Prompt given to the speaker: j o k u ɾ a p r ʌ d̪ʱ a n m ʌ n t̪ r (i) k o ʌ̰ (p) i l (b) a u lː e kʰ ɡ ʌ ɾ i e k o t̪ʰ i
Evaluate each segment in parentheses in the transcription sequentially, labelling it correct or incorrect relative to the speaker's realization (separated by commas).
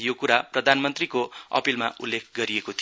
correct, correct, incorrect